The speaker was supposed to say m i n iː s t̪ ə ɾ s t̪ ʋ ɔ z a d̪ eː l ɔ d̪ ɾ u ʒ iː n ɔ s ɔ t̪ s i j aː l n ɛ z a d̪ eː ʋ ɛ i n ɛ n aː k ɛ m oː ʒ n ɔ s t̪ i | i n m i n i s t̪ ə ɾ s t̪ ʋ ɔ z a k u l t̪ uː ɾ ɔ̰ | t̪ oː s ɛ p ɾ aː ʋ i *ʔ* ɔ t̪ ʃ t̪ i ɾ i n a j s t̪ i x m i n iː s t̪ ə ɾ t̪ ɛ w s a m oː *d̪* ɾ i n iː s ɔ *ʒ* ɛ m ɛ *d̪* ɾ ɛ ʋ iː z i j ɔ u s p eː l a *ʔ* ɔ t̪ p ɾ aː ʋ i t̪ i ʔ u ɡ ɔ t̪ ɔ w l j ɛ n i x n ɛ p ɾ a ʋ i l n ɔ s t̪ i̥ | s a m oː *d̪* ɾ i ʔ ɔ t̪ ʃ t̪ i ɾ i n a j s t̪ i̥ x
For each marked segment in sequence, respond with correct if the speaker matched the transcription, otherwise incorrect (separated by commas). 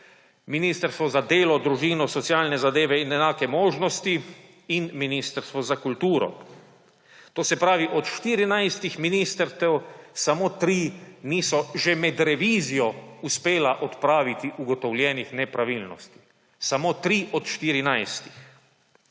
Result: correct, incorrect, correct, correct, correct, incorrect